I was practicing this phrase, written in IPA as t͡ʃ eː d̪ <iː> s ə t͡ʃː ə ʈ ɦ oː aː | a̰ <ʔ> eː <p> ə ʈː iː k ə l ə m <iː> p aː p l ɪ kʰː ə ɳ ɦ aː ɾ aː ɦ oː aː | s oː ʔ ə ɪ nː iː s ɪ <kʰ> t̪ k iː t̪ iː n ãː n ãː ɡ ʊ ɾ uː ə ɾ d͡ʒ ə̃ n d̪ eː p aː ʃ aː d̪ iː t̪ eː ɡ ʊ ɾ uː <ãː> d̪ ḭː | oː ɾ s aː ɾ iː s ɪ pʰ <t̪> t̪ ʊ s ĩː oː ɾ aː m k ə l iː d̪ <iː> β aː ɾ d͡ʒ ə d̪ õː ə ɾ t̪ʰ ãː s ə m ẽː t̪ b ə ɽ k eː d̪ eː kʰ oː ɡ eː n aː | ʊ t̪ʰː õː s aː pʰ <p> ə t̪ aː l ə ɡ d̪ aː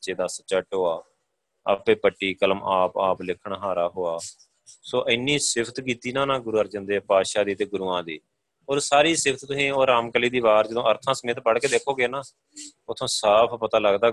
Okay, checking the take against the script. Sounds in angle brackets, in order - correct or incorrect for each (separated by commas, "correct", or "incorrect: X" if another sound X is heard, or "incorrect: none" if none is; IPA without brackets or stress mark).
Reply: incorrect: aː, incorrect: p, correct, incorrect: aː, incorrect: pʰ, correct, correct, correct, correct